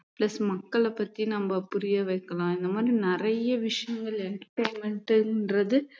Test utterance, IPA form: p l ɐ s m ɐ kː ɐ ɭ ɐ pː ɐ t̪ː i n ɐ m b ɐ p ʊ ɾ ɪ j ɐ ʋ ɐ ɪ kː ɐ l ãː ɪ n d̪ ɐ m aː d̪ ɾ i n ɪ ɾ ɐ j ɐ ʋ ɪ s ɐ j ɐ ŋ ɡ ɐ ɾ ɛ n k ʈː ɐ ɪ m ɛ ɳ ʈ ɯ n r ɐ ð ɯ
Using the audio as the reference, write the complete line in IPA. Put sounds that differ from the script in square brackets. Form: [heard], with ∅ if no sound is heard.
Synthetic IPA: p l ɐ s m ɐ kː ɐ ɭ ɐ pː ɐ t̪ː i n ɐ m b ɐ p ʊ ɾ ɪ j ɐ ʋ ɐ ɪ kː ɐ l ãː ɪ n d̪ ɐ m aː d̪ ɾ i n ɪ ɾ ɐ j ɐ ʋ ɪ [ʂ] ɐ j ɐ ŋ ɡ ɐ [ɭ] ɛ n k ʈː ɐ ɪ m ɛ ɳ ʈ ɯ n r ɐ ð ɯ